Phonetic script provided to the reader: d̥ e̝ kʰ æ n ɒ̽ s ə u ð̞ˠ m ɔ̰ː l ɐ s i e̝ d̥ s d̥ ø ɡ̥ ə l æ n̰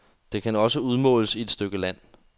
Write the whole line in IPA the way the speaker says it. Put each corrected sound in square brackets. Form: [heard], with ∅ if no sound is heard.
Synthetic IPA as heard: d̥ e̝ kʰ æ n ɒ̽ s ə u ð̞ˠ m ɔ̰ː l [ə] s i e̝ d̥ s d̥ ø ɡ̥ ə l æ n̰